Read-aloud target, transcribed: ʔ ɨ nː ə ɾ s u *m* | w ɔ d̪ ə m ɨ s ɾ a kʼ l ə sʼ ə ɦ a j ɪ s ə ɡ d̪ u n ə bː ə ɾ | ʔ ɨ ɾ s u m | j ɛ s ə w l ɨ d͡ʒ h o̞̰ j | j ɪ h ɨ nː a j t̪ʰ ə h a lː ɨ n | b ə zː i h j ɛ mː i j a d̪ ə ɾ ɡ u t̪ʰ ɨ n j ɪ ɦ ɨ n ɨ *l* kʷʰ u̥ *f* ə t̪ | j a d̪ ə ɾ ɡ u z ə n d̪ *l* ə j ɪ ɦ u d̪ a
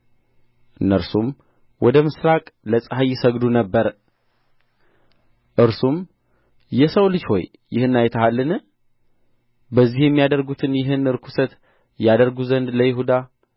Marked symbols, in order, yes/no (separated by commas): yes, no, no, yes